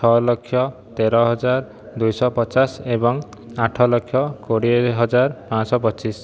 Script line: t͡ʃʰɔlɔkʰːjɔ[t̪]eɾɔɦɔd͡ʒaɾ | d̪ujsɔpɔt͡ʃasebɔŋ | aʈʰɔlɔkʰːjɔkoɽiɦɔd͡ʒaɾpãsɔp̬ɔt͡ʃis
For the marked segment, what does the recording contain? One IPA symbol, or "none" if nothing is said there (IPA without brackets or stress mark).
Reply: t̪